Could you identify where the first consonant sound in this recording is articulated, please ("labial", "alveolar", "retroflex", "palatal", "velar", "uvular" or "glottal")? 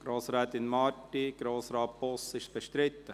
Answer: velar